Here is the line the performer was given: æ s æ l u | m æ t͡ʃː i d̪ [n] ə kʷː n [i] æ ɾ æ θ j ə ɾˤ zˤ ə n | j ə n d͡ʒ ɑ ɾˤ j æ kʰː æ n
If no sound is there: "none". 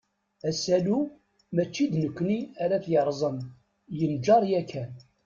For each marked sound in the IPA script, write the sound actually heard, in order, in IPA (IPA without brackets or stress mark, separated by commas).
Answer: n, i